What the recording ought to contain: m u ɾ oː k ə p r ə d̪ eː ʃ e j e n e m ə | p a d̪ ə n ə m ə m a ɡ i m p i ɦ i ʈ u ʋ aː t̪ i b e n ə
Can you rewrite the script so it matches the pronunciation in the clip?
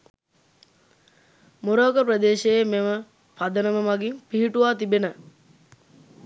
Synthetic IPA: m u ɾ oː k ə p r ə d̪ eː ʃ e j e m e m ə | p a d̪ ə n ə m ə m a ɡ i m p i ɦ i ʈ u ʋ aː t̪ i b e n ə